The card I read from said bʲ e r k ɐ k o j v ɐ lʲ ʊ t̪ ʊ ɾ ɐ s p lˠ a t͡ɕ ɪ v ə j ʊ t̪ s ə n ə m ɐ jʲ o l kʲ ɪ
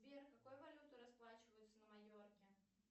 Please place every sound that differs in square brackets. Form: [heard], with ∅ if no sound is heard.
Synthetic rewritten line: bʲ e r k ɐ k o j v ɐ lʲ [u] t̪ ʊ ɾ ɐ s p lˠ a t͡ɕ ɪ v ə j ʊ t̪ s ə n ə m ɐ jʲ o [r] kʲ ɪ